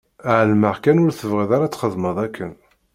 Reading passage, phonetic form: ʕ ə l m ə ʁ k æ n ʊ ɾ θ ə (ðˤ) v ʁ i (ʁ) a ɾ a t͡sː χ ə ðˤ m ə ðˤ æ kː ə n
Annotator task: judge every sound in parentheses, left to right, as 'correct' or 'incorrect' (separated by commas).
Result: incorrect, incorrect